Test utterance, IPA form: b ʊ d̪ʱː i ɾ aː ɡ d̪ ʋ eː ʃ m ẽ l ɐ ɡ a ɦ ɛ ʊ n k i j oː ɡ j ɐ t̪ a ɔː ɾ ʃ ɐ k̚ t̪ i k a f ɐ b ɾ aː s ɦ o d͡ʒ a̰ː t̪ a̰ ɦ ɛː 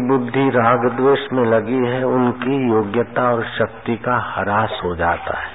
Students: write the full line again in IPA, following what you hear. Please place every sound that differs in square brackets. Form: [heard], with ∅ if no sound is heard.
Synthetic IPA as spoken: b ʊ d̪ʱː i ɾ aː ɡ d̪ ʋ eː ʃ m ẽ l ɐ ɡ [i] ɦ ɛ ʊ n k i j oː ɡ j [ə] t̪ a ɔː ɾ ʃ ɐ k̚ t̪ i k a [h] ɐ [∅] ɾ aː s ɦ o d͡ʒ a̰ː t̪ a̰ ɦ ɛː